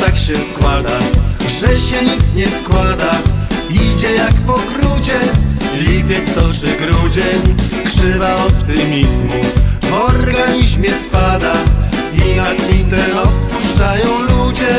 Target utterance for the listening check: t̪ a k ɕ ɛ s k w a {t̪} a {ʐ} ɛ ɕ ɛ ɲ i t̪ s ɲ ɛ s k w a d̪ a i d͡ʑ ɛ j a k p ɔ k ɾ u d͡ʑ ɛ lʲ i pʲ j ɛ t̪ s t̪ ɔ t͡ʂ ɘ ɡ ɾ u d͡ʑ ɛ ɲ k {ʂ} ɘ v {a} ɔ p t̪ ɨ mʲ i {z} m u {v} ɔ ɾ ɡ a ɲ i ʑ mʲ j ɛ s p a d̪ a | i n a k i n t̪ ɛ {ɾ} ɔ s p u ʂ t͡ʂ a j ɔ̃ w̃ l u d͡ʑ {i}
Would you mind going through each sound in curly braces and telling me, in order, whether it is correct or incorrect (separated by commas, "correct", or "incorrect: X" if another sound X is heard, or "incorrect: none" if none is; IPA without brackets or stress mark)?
incorrect: d̪, correct, correct, correct, correct, correct, correct, incorrect: ɛ